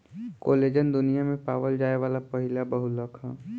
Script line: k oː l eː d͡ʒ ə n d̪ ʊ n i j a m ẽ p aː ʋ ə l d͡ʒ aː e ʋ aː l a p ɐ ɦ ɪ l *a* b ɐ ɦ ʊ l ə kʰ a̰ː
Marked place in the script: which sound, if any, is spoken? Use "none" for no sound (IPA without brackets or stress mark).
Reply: a